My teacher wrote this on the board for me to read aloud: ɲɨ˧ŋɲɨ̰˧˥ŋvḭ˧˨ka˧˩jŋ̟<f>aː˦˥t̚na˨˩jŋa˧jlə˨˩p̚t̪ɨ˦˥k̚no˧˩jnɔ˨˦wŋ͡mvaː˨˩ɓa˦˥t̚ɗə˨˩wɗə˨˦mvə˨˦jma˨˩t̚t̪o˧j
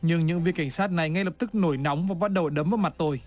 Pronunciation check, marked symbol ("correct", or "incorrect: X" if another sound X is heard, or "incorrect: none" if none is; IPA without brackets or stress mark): incorrect: s